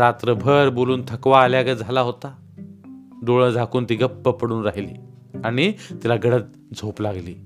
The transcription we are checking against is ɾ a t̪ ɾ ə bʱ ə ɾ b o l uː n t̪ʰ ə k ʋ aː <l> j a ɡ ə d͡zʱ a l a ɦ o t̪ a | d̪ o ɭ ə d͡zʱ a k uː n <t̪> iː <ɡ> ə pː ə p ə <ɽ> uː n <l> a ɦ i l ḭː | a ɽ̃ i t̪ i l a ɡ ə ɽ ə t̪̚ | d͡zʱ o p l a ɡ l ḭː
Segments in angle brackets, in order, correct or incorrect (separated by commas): correct, correct, correct, correct, incorrect